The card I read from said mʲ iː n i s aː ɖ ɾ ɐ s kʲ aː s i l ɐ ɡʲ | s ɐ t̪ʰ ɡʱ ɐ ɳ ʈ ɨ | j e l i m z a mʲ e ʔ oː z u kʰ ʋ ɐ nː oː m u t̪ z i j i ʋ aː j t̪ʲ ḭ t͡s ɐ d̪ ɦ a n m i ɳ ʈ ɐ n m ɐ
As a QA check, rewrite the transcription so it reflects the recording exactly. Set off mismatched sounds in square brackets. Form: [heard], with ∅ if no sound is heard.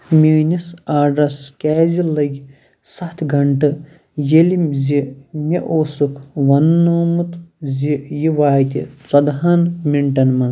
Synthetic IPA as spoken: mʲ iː n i s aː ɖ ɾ ɐ s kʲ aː [z] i l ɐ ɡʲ | s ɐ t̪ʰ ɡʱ ɐ ɳ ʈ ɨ | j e l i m z [i] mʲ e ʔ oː [s] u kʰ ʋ ɐ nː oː m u t̪ z i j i ʋ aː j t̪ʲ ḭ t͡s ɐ d̪ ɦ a n m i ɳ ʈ ɐ n m ɐ